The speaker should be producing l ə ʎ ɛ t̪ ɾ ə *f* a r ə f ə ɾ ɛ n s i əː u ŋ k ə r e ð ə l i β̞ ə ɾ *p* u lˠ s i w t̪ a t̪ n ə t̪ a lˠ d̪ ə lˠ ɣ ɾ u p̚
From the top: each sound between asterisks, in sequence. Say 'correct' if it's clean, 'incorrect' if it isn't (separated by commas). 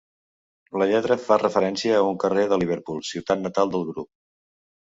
correct, correct